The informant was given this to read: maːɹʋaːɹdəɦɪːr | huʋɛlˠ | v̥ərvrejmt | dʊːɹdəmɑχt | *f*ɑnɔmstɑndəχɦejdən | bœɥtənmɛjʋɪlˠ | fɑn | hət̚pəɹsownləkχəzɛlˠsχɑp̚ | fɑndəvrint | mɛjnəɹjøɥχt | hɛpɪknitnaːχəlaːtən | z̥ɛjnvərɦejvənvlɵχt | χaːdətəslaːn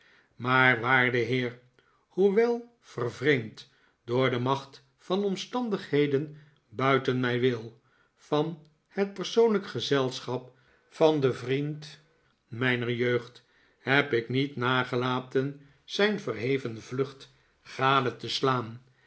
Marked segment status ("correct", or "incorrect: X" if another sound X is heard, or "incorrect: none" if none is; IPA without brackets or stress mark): correct